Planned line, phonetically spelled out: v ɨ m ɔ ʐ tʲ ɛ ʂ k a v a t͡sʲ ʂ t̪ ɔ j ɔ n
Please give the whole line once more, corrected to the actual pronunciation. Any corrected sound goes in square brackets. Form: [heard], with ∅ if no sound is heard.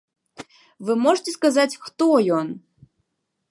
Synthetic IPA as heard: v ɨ m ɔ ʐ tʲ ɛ [s] k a [z] a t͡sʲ [x] t̪ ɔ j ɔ n